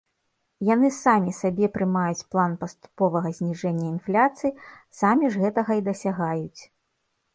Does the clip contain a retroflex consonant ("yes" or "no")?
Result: yes